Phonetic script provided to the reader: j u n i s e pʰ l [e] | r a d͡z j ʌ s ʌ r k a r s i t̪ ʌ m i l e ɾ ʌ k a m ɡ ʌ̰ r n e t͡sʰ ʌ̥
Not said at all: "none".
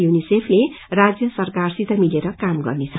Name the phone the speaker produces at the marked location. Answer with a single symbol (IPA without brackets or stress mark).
e